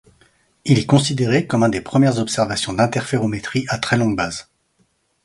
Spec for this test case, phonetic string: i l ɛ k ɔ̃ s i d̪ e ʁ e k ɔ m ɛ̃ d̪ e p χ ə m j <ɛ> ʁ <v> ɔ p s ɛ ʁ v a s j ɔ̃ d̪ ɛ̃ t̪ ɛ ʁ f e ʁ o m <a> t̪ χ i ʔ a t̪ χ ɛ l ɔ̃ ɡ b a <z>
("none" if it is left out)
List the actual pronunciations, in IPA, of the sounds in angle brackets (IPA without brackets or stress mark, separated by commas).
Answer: ɛ, z, e, z